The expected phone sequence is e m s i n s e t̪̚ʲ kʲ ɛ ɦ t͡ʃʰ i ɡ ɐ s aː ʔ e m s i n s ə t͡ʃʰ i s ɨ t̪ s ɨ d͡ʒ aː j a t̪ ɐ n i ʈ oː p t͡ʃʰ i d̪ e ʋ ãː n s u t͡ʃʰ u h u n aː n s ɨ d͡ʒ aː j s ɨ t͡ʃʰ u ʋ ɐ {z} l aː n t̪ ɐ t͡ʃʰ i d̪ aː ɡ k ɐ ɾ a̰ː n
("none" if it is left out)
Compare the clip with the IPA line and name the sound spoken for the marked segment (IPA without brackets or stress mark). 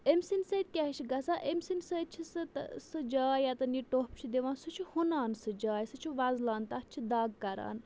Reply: z